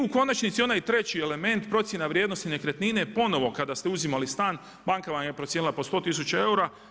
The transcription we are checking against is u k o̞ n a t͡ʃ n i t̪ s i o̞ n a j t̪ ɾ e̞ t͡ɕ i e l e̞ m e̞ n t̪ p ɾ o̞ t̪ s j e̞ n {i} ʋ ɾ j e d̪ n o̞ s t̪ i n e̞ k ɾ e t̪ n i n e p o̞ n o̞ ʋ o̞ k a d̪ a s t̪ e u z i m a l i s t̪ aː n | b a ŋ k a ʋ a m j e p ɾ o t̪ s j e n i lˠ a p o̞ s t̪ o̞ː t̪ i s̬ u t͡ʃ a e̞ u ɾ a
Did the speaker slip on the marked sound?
yes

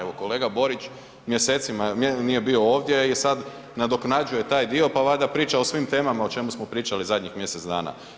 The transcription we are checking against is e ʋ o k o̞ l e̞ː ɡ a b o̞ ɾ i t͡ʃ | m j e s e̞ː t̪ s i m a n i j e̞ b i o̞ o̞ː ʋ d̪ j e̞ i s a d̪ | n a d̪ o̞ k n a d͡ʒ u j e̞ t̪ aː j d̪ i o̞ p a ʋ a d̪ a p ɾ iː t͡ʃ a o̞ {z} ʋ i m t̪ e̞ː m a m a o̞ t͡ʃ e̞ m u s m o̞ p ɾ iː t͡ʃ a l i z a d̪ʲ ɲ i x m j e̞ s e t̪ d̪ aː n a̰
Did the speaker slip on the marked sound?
yes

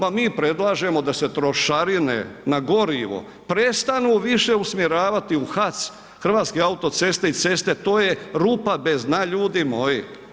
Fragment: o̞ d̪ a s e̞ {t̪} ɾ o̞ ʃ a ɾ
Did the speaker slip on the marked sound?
no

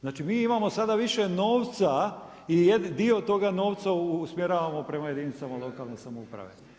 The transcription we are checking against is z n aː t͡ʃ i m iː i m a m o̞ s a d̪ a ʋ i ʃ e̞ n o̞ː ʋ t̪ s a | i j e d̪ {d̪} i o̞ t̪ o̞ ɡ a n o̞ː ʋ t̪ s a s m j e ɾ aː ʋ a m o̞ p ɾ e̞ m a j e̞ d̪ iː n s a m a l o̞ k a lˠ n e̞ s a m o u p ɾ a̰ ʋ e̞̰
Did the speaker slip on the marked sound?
no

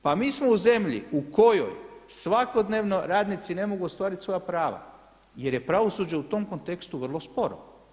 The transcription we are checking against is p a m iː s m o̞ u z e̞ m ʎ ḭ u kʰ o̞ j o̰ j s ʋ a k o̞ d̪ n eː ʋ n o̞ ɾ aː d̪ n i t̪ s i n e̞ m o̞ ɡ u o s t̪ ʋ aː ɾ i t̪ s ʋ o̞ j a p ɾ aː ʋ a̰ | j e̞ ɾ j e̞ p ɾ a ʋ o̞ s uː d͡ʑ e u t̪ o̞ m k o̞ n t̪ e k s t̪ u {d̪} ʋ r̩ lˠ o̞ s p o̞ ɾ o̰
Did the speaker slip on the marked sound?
yes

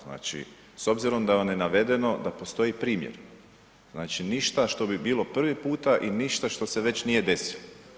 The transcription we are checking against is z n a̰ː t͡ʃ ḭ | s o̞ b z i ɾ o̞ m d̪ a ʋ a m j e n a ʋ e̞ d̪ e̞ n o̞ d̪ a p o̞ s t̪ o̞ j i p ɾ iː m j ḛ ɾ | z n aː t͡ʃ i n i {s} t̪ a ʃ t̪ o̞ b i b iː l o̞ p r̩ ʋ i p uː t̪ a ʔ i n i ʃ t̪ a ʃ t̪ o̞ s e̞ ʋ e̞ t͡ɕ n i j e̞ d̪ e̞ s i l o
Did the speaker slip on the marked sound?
yes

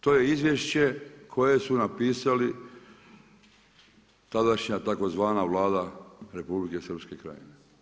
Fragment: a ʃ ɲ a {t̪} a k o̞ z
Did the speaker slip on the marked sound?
no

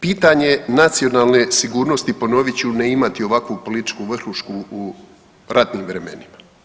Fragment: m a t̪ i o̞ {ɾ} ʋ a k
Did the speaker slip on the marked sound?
yes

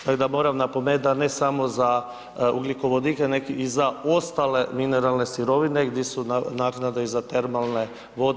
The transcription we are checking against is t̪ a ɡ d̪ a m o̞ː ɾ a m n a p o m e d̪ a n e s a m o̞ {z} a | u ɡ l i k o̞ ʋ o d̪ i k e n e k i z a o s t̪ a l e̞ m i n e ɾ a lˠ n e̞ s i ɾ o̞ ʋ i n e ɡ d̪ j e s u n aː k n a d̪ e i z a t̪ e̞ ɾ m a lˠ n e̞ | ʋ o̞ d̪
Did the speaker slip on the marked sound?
no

